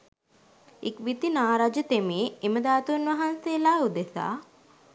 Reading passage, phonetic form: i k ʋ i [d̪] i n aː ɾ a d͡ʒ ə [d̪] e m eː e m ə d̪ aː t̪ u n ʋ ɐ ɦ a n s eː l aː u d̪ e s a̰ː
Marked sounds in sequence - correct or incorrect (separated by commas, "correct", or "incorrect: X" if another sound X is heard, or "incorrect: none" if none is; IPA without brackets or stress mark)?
incorrect: t̪, incorrect: t̪